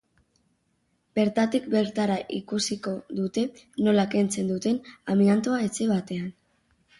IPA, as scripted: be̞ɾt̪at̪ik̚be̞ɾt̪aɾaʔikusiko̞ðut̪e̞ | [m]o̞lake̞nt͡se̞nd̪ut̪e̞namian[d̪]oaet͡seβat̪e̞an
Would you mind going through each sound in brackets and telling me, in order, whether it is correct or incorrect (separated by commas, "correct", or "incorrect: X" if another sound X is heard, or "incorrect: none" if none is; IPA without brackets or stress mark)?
incorrect: n, incorrect: t̪